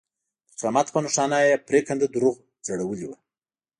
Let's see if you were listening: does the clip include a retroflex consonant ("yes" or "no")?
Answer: yes